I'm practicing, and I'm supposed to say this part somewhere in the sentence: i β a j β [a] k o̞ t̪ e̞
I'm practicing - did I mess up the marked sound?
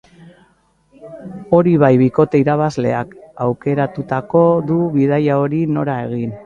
yes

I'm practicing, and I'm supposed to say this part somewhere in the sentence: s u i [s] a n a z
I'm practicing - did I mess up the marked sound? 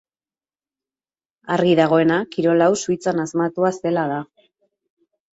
yes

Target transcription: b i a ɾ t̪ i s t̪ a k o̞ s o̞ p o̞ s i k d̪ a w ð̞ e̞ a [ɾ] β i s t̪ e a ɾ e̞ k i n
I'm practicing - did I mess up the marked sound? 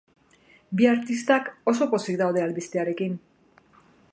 yes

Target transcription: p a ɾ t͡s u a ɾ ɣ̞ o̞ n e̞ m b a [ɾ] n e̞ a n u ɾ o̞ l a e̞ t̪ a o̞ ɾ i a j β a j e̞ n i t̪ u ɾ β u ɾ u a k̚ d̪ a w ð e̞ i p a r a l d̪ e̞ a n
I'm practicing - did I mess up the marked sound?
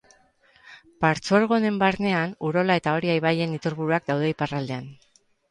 no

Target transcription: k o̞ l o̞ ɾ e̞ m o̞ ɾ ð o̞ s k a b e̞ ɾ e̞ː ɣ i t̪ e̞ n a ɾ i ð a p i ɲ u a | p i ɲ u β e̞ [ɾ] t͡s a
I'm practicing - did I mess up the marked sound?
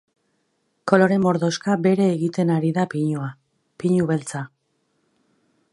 yes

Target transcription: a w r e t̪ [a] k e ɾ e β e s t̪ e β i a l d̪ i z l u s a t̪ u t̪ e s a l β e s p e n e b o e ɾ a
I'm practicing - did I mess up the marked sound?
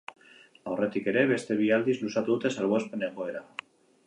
yes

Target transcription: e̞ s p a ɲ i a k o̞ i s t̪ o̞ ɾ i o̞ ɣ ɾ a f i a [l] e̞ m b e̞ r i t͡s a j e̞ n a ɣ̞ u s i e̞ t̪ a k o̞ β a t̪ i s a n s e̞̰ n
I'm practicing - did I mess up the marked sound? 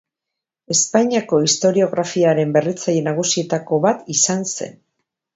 yes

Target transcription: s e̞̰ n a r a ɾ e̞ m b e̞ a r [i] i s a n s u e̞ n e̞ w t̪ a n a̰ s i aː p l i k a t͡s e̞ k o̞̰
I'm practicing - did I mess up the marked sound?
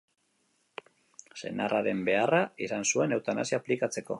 yes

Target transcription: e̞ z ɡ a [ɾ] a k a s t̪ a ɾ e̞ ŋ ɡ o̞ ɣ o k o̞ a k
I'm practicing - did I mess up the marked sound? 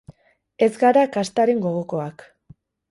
no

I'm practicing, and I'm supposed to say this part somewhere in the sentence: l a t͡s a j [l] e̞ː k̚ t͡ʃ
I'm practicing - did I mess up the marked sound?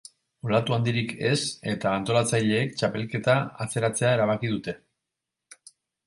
yes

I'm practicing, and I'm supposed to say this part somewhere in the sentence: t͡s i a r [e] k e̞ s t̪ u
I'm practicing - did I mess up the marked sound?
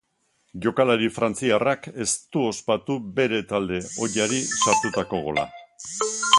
yes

